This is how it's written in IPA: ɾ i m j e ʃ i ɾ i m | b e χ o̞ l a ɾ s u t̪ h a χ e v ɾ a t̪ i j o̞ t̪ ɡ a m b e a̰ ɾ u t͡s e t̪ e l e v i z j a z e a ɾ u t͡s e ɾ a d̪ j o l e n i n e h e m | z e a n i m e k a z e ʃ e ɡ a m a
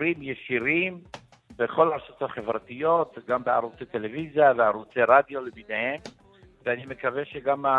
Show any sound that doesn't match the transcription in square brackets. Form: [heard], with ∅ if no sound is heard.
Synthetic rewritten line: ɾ i m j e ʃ i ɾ i m | b e χ o̞ l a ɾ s [o] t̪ h a χ e v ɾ a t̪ i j o̞ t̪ ɡ a m b e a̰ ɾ u t͡s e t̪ e l e v i z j a [v] e a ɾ u t͡s e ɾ a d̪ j o l e [m] i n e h e m | [v] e a n i m e k a [v] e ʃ e ɡ a m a